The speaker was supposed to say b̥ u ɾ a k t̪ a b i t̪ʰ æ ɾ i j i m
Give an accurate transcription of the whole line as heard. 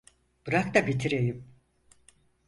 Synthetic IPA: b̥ ɯ ɾ a k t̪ a b i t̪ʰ i ɾ e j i m